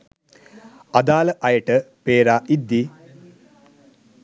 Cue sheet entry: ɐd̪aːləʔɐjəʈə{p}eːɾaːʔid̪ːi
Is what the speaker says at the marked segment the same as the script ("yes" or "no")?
yes